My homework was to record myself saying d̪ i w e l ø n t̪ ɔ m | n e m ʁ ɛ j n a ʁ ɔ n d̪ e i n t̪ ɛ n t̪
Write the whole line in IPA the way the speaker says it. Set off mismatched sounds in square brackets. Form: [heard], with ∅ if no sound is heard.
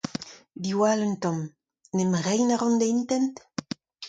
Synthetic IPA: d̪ i w [a] l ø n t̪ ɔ m | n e m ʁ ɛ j n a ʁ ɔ n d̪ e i n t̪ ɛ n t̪